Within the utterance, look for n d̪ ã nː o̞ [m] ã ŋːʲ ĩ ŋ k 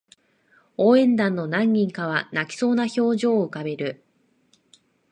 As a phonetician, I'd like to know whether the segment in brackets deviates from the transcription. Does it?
yes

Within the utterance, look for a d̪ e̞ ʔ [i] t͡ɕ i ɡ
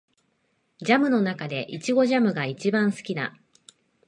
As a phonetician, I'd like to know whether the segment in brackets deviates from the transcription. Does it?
no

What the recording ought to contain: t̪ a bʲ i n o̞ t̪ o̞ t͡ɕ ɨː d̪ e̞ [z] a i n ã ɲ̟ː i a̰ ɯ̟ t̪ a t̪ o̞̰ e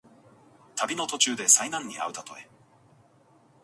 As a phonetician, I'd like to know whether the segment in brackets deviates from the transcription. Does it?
yes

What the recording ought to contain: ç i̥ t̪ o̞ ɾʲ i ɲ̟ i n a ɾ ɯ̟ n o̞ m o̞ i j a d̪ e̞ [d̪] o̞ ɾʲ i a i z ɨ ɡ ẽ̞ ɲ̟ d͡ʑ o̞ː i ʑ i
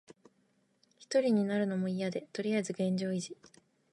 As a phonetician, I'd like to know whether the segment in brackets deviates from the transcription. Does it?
yes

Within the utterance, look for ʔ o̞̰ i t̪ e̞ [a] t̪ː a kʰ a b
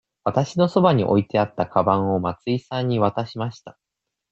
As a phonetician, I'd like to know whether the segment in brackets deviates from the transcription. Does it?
no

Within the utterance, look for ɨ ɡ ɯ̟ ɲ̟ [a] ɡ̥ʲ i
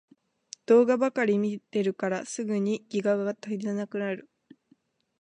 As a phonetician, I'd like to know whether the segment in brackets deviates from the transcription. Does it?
yes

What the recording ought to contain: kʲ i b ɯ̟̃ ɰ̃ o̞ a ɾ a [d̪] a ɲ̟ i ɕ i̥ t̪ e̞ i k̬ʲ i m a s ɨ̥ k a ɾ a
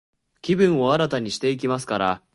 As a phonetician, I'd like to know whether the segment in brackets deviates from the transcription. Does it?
yes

